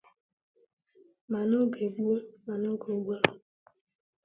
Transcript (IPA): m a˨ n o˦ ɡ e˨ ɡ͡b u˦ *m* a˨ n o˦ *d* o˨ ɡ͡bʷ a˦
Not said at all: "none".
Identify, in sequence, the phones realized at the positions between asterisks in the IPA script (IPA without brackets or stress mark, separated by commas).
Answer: m, ɡ